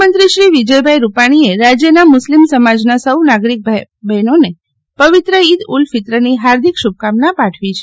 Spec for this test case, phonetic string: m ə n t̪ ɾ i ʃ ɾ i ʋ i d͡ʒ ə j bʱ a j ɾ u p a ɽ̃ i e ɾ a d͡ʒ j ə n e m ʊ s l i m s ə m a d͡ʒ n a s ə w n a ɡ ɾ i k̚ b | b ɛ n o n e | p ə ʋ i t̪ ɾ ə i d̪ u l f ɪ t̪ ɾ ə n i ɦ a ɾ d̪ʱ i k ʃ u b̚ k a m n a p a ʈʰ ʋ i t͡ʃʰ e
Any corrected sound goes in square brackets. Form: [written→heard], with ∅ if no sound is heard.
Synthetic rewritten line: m ə n t̪ ɾ i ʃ ɾ i ʋ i d͡ʒ ə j bʱ a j ɾ u p a ɽ̃ i e ɾ a d͡ʒ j ə n [e→a] m ʊ s l i m s ə m a d͡ʒ n a s ə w n a ɡ ɾ i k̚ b | b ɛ n o n e | p ə ʋ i t̪ ɾ ə i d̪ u l f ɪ t̪ ɾ ə n i ɦ a ɾ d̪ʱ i k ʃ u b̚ k a m n a p a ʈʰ ʋ i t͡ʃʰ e